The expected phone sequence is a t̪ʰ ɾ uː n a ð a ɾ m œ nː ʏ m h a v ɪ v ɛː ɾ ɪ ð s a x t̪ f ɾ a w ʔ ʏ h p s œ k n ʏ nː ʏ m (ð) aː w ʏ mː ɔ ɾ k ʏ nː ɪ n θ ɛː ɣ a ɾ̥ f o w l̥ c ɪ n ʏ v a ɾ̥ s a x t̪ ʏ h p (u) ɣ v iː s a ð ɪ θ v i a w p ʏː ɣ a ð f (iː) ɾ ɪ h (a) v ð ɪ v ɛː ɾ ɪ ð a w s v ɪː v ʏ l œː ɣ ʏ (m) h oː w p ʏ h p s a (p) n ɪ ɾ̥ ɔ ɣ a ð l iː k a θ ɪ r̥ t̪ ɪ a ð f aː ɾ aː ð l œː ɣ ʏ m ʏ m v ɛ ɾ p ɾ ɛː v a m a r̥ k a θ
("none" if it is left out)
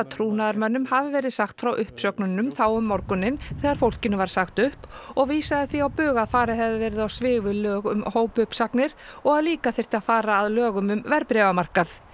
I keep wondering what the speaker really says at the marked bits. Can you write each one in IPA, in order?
θ, ɔ, aː, ɛ, m, k

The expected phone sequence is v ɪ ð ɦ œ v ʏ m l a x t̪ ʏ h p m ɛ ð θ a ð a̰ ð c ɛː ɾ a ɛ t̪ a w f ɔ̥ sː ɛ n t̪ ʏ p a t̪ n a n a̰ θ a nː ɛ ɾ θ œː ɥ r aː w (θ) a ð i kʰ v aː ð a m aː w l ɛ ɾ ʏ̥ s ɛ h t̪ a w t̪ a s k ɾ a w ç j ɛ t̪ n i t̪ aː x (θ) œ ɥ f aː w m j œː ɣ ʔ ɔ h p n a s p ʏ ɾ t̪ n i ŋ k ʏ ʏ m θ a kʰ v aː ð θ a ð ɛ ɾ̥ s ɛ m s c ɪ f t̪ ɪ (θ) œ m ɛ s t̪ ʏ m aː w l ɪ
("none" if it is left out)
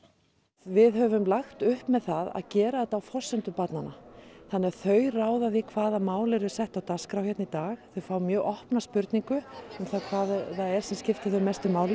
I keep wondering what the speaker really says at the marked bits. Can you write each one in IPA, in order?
ð, θ, θ

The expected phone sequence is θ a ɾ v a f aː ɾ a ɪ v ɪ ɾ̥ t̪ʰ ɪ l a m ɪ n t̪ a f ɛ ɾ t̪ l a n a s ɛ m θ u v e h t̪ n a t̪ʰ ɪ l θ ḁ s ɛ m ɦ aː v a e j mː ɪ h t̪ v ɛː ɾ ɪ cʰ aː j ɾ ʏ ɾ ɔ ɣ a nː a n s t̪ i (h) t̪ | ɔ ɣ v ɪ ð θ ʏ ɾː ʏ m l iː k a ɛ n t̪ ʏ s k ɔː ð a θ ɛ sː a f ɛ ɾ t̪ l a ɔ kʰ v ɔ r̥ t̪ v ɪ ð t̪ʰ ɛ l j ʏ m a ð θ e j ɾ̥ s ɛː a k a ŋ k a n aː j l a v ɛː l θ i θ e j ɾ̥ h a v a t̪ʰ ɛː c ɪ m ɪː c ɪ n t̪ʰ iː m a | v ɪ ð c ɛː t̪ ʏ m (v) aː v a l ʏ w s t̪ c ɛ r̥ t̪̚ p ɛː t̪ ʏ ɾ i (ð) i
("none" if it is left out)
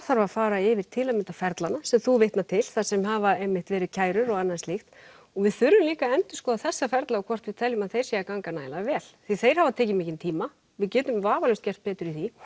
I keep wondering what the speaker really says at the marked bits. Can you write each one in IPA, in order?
x, v, θ

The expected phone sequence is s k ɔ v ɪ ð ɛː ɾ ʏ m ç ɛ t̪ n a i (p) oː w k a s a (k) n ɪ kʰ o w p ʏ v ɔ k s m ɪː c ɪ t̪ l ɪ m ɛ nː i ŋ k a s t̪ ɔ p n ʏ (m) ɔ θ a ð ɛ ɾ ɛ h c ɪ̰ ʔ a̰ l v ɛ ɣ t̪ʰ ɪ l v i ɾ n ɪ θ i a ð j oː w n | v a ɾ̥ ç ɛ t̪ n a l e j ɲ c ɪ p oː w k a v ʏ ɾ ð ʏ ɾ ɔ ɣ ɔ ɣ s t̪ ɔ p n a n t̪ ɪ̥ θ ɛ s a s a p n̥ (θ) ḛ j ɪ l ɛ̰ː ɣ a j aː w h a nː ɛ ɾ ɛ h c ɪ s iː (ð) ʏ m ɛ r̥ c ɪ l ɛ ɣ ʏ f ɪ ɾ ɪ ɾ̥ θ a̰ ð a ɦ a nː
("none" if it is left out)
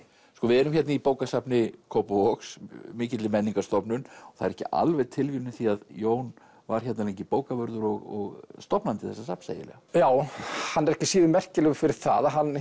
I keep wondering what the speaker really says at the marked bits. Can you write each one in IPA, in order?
p, p, n, s, ð

